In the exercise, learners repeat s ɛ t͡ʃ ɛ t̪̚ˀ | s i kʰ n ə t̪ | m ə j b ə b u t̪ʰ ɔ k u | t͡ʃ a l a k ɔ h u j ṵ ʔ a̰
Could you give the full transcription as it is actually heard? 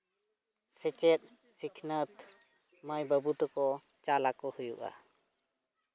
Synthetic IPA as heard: s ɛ t͡ʃ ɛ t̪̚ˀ | s i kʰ n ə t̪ | m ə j b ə b u t̪ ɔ k ɔ | t͡ʃ a l a k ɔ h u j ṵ ʔ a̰